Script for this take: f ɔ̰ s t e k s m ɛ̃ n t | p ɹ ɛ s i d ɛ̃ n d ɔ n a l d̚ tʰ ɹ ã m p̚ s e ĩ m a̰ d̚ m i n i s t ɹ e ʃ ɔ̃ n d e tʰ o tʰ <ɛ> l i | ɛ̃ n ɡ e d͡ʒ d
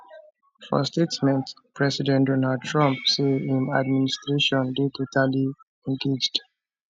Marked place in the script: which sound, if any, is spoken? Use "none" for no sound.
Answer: a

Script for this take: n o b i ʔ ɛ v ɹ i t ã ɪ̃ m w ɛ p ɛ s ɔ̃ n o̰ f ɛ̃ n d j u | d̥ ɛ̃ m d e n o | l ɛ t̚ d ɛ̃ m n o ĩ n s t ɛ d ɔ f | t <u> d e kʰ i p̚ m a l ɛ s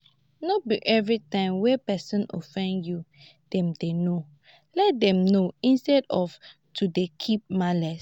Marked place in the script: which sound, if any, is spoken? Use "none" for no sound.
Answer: u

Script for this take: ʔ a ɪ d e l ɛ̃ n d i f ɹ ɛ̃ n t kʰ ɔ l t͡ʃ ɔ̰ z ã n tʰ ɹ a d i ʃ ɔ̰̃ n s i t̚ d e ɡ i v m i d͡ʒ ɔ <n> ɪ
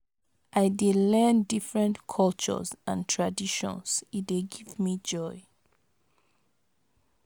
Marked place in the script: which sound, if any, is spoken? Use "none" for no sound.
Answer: none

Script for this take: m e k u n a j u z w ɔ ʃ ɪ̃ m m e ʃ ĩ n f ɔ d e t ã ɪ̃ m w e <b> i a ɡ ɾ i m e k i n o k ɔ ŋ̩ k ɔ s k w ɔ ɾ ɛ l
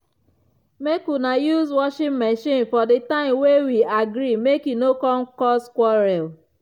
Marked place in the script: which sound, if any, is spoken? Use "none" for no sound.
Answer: w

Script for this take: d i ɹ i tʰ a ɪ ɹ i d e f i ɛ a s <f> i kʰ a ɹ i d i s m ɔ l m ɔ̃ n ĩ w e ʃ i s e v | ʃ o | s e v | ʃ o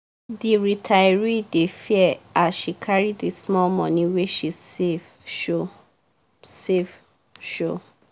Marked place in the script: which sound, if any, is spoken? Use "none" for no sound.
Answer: ʃ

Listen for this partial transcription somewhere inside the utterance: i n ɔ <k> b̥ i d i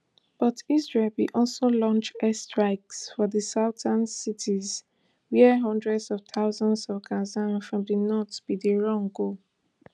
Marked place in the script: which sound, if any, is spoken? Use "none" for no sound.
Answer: t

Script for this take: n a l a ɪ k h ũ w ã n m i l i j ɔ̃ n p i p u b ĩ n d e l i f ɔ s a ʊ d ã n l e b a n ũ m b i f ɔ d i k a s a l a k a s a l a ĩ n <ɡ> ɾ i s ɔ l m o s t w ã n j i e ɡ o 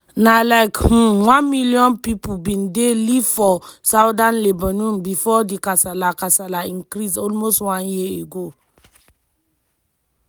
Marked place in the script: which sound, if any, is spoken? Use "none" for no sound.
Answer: k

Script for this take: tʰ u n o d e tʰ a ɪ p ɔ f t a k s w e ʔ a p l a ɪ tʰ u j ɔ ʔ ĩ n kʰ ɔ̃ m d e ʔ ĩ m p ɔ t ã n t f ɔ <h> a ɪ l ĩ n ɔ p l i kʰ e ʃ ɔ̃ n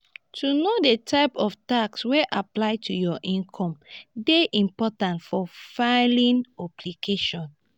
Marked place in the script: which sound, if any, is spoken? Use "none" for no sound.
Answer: f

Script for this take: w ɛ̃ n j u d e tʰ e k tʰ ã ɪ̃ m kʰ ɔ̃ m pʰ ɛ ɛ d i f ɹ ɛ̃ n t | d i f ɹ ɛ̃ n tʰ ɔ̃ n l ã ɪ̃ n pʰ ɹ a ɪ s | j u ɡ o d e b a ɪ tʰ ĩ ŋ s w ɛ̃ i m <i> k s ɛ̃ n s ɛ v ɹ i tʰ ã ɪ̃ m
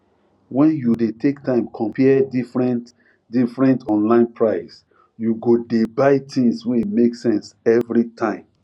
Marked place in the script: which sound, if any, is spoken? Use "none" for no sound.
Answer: e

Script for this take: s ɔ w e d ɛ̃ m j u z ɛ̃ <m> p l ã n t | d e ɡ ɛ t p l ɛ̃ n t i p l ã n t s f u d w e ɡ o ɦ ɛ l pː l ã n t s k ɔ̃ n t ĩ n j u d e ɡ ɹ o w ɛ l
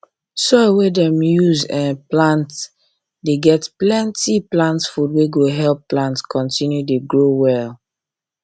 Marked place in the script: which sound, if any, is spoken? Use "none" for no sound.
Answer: n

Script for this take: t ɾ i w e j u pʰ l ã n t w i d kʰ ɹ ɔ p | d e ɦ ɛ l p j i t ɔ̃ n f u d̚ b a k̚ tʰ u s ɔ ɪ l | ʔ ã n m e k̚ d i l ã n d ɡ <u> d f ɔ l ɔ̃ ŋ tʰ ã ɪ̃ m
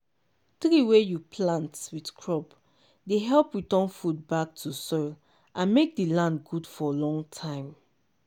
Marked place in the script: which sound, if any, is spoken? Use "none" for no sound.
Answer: u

